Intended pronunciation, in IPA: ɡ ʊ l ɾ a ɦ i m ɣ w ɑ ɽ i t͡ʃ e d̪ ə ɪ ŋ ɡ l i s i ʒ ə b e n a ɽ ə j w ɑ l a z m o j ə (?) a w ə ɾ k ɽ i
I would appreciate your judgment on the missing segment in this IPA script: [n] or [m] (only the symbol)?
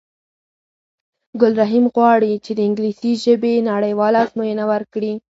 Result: n